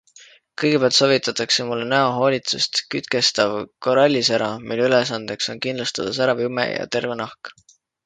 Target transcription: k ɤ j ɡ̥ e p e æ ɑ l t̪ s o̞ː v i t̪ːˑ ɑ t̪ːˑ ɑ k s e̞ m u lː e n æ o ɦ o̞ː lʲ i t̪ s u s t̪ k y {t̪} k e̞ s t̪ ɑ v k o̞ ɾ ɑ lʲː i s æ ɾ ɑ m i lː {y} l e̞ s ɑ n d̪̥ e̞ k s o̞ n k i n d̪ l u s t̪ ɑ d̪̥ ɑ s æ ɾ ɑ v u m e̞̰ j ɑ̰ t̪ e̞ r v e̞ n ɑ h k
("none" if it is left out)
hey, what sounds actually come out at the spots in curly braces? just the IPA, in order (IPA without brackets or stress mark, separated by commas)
t̪, y